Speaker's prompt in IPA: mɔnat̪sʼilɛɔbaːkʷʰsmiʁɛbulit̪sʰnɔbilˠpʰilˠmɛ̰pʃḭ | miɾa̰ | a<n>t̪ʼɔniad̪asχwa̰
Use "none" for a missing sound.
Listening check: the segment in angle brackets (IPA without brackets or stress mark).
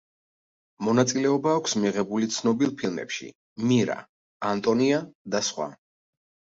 n